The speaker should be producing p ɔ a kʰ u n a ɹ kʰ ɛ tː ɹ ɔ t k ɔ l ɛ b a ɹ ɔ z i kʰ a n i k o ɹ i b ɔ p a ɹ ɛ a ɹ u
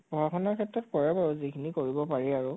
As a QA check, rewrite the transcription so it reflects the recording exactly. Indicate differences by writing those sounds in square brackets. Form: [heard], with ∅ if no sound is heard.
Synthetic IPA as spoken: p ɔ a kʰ [ɔ] n a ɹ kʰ ɛ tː ɹ ɔ t k ɔ [ɹ] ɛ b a ɹ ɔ z i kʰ [i] n i k o ɹ i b ɔ p a ɹ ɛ a ɹ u